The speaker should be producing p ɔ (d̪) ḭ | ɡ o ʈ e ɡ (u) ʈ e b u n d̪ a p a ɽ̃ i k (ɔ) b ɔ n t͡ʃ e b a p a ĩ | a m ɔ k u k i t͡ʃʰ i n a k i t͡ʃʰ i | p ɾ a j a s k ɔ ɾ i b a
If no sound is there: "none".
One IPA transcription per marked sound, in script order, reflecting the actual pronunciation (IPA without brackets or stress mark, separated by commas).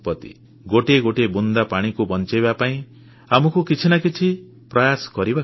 t̪, o, u